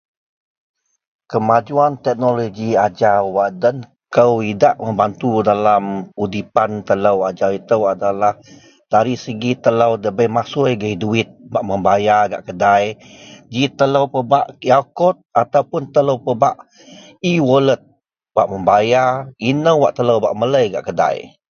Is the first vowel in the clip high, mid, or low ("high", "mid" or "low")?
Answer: mid